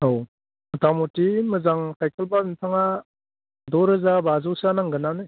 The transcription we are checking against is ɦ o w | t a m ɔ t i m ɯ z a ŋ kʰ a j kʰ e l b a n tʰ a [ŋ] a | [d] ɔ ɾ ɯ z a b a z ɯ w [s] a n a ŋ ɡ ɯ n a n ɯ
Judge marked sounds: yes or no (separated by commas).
yes, yes, yes